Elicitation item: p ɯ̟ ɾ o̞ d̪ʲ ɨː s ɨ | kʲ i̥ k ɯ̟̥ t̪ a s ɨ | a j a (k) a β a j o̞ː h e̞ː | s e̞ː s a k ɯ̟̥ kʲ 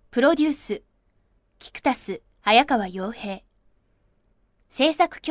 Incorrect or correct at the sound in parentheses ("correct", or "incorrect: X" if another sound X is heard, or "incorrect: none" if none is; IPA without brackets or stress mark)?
correct